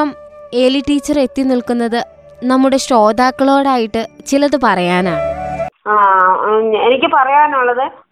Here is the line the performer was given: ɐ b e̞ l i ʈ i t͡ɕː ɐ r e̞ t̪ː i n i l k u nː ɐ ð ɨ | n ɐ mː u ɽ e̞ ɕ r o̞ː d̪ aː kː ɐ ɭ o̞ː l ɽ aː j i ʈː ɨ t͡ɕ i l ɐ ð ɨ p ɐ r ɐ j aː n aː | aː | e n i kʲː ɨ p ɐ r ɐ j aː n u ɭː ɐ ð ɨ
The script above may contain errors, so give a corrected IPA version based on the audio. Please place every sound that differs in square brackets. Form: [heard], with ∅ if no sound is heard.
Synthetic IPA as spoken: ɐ [m] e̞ l i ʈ [iː] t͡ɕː ɐ r e̞ t̪ː i n i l k u nː ɐ ð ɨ | n ɐ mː u ɽ e̞ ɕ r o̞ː d̪ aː kː ɐ ɭ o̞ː [∅] ɽ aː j i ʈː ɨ t͡ɕ i l ɐ ð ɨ p ɐ r ɐ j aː n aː | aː | e n i kʲː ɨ p ɐ r ɐ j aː n u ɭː ɐ ð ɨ